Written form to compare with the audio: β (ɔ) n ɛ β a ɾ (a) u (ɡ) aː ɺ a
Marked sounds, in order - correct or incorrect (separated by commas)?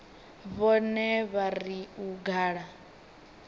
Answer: correct, incorrect, correct